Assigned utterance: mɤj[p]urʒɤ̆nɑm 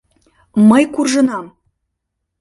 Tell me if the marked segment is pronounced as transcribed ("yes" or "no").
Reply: no